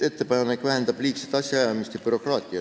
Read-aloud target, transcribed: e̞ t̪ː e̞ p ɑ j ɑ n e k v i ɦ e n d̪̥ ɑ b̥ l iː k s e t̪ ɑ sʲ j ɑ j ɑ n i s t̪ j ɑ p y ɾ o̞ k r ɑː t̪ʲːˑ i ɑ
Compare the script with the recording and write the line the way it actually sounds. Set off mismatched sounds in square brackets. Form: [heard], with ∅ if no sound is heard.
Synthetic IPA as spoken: e̞ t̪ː e̞ p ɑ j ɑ n e k v [æ] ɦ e n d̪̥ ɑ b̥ l iː k s e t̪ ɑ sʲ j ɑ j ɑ [m] i s t̪ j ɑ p y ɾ o̞ k r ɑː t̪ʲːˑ i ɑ

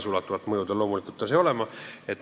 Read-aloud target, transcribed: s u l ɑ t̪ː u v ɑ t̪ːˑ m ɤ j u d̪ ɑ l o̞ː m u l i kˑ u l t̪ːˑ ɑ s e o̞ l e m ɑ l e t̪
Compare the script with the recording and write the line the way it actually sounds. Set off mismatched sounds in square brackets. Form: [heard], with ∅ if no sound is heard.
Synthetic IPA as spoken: s u l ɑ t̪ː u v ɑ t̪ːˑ m ɤ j u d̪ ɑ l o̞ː m u l i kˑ u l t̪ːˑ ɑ s e o̞ l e m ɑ [∅] e t̪

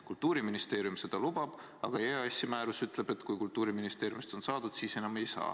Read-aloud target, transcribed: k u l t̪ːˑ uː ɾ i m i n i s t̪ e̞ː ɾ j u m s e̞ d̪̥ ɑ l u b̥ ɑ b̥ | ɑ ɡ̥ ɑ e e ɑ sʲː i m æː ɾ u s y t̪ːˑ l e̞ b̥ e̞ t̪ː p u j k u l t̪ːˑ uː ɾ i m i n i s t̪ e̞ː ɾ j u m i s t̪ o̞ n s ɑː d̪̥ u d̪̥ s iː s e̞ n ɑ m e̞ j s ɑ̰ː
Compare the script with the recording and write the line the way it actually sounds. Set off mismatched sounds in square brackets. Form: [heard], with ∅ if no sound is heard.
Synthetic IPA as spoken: k u l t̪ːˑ uː ɾ i m i n i s t̪ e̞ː ɾ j u m s e̞ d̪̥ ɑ l u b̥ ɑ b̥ | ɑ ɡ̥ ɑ e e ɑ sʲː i m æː ɾ u s y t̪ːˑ l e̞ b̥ e̞ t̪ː [k] u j k u l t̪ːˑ uː ɾ i m i n i s t̪ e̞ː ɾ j u m i s t̪ o̞ n s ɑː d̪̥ u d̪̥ s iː s e̞ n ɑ m e̞ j s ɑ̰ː

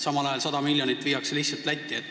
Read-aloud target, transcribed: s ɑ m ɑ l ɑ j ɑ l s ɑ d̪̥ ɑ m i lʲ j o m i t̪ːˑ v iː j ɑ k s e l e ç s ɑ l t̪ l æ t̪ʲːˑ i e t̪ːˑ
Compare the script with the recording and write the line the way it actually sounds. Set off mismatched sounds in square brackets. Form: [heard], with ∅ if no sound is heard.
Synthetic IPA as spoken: s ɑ m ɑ l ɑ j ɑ l s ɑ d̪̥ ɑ m i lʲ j o [n] i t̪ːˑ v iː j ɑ k s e l [i] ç s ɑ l t̪ l æ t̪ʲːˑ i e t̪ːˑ

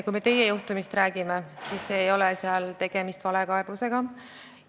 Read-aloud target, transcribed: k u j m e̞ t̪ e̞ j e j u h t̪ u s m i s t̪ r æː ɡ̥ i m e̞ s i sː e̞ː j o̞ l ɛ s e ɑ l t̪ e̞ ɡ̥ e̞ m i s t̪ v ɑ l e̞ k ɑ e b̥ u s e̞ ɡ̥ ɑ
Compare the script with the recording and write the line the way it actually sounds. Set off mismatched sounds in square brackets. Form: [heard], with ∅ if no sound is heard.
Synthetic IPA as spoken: k u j m e̞ t̪ e̞ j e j u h t̪ u [∅] m i s t̪ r æː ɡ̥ i m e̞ s i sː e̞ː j o̞ l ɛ s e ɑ l t̪ e̞ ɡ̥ e̞ m i s t̪ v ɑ l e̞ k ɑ e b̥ u s e̞ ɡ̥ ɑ

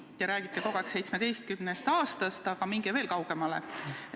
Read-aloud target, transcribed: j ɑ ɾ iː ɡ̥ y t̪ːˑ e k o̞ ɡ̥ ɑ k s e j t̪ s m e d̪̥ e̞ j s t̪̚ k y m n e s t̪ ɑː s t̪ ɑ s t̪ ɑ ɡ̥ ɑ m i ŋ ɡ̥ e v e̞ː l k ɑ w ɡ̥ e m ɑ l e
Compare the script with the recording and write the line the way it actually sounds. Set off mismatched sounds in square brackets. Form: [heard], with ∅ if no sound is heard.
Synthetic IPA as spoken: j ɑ ɾ [æː] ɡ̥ [i] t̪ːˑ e k o̞ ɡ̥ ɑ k s e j t̪ s m e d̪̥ e̞ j s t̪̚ k y m n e s t̪ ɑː s t̪ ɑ s t̪ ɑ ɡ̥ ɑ m i ŋ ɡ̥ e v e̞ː l k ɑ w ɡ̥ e m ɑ l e

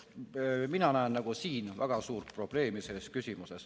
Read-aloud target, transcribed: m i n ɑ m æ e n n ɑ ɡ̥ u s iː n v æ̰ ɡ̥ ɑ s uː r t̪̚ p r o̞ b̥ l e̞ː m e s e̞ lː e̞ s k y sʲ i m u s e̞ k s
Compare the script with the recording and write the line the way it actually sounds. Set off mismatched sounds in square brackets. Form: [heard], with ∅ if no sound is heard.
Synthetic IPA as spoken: m i n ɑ [n] æ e n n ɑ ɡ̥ u s iː n v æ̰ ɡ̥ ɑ s uː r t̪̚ p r o̞ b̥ l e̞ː m [i] s e̞ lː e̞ s k y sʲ i m u s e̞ [∅] s

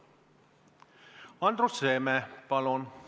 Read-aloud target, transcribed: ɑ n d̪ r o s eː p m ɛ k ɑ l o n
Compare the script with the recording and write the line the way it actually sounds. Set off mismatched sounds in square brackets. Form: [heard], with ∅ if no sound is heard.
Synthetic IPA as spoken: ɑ n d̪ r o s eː [∅] m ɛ [p] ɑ l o n

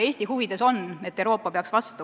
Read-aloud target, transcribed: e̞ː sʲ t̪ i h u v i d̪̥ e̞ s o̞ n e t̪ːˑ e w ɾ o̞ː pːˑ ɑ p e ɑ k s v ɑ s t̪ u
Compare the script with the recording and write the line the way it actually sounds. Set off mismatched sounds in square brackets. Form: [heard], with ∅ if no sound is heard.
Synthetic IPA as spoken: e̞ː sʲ t̪ i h u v i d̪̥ e̞ s o̞ n e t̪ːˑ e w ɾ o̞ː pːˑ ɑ p e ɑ k s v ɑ s t̪ u

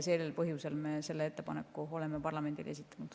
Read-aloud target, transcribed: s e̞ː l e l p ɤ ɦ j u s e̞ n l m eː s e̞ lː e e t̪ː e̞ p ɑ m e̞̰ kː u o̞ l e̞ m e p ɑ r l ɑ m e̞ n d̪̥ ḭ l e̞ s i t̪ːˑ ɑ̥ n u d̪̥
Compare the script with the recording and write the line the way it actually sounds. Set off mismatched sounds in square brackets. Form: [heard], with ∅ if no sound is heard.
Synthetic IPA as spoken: s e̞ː l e l p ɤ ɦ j u s e̞ [∅] l m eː s e̞ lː e e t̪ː e̞ p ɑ [n] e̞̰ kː u o̞ l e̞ m e p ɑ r l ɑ m e̞ n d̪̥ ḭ l e̞ s i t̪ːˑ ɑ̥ n u d̪̥

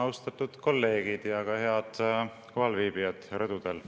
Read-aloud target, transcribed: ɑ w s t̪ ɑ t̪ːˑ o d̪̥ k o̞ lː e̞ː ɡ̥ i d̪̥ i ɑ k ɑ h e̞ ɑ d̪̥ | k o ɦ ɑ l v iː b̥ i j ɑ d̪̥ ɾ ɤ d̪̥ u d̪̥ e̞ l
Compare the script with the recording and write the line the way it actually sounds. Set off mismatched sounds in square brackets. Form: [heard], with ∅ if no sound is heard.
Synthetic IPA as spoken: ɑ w s t̪ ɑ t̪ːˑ [u] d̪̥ k o̞ lː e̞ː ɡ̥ i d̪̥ [j] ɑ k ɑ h e̞ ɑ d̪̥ | k o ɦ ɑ l v iː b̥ i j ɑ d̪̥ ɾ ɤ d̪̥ u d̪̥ e̞ l

